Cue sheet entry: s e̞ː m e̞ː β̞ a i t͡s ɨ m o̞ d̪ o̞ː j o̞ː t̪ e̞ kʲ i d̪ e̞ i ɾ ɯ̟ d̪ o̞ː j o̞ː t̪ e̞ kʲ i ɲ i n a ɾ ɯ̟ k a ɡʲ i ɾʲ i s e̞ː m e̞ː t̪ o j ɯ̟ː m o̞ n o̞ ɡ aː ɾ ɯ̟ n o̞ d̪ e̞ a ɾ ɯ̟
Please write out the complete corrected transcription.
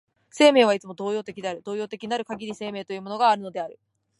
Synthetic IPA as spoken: s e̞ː m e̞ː β̞ a i t͡s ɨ m o̞ d̪ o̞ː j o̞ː t̪ e̞ kʲ i d̪ e̞ a ɾ ɯ̟ d̪ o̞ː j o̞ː t̪ e̞ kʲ i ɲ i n a ɾ ɯ̟ k a ɡʲ i ɾʲ i s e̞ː m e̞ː t̪ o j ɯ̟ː m o̞ n o̞ ɡ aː ɾ ɯ̟ n o̞ d̪ e̞ a ɾ ɯ̟